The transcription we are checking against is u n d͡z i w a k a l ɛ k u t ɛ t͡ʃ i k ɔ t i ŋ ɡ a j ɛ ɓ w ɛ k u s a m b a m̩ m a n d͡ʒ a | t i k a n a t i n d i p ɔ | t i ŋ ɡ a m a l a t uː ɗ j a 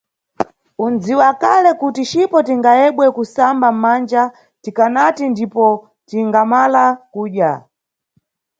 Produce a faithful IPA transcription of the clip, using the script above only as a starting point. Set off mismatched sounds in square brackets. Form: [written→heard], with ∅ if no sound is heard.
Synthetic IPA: u n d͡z i w a k a l ɛ k u t [ɛ→i] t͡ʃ i [k→p] ɔ t i ŋ ɡ a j ɛ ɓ w ɛ k u s a m b a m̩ m a n d͡ʒ a | t i k a n a t i n d i p ɔ | t i ŋ ɡ a m a l a [t→k] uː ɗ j a